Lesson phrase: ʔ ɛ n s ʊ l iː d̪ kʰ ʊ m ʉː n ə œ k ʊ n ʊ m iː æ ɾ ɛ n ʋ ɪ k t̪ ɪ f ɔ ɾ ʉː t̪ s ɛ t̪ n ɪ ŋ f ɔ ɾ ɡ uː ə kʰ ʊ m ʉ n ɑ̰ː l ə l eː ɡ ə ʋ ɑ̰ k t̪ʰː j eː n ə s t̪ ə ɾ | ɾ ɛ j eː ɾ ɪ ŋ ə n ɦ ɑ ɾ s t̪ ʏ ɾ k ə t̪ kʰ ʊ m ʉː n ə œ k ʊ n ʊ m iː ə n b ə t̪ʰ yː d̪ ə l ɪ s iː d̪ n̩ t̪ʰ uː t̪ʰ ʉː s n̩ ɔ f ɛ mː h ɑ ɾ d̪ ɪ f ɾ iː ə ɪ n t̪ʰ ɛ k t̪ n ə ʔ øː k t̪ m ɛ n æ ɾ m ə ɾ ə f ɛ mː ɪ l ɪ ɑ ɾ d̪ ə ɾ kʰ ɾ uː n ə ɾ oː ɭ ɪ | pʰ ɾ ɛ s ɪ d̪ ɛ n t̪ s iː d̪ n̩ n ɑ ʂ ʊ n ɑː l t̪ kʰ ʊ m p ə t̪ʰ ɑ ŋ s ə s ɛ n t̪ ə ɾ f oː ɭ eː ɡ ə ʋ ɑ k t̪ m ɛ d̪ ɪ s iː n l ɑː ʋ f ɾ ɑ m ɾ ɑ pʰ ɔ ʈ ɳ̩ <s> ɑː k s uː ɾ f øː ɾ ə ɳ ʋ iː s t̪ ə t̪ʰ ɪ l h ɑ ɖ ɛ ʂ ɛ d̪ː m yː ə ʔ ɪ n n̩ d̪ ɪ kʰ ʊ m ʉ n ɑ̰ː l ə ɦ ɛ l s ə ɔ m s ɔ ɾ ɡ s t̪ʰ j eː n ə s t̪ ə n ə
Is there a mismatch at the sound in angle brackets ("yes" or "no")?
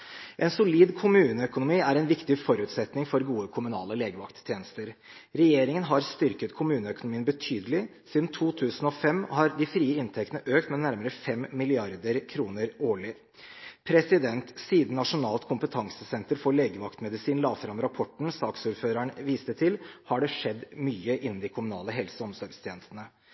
no